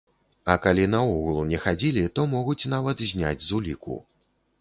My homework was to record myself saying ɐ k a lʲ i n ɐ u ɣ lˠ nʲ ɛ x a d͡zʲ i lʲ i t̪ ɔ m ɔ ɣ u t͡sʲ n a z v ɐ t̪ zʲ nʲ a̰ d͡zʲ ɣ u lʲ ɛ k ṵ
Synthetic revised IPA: ɐ k a lʲ i n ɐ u ɣ lˠ nʲ ɛ x a d͡zʲ i lʲ i t̪ ɔ m ɔ ɣ u t͡sʲ n a v ɐ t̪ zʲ nʲ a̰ d͡zʲ z u lʲ i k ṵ